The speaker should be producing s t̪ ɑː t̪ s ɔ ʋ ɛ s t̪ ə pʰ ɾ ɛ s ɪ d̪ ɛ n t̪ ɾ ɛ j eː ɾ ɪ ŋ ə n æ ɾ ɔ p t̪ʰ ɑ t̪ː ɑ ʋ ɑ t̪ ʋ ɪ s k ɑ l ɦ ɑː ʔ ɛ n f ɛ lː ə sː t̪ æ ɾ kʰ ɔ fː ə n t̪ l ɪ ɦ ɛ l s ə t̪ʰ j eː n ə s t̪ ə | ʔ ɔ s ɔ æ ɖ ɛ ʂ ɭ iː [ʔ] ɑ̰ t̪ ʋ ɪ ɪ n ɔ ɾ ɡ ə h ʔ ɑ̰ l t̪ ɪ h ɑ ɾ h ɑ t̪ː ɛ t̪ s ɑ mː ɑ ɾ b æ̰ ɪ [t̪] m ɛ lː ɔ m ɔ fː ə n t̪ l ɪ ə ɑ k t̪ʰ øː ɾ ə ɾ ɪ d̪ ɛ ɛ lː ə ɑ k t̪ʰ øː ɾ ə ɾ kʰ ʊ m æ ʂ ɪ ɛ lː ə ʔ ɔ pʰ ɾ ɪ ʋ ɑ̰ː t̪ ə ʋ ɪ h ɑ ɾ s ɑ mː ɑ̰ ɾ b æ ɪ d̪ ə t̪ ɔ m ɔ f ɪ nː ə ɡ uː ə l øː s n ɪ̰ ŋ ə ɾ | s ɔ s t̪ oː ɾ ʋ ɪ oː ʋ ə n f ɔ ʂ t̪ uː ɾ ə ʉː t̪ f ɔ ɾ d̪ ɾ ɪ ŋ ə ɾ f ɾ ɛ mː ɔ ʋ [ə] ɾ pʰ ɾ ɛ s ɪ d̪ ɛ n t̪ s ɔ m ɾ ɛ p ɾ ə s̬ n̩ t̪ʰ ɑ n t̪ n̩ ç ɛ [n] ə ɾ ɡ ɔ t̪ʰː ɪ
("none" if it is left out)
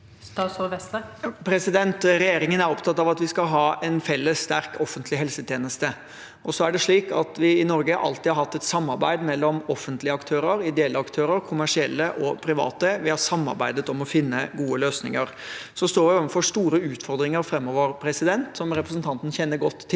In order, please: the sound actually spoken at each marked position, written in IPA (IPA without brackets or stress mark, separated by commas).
k, d̪, ə, nː